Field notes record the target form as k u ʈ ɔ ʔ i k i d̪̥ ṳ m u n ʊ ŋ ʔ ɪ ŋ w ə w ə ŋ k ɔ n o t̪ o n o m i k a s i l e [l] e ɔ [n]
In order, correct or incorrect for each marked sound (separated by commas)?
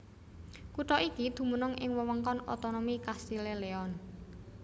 correct, correct